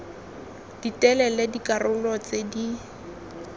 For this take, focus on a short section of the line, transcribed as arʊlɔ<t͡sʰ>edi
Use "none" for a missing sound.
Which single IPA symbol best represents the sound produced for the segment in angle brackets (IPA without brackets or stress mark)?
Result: t͡s